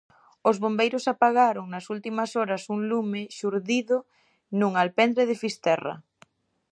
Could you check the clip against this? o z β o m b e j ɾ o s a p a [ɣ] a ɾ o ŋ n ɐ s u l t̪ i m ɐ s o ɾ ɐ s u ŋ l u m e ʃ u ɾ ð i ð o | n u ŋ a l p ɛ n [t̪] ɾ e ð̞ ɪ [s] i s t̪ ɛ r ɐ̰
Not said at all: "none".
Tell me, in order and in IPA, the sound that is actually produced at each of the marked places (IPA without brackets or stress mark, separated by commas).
ɣ, d̪, f